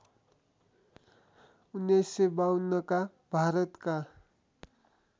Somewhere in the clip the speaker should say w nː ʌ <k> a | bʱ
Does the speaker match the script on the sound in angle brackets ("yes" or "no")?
yes